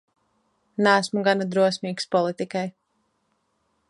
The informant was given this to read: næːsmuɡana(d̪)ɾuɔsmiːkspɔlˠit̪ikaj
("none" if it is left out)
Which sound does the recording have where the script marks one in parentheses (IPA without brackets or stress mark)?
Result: d̪